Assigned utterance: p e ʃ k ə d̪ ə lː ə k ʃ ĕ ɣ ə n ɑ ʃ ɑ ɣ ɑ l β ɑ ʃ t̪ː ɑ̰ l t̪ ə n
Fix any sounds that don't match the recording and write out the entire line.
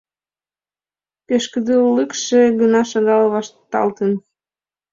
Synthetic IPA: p e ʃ k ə d̪ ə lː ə k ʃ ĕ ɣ ə n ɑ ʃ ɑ ɣ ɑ l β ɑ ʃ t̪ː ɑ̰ l t̪ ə n